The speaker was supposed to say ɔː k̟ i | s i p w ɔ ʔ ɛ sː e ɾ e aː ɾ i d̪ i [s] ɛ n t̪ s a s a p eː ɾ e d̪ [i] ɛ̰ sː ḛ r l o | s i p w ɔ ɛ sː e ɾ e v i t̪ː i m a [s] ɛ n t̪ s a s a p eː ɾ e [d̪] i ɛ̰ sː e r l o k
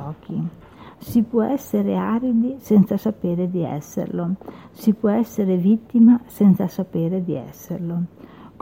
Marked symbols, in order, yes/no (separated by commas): yes, yes, yes, yes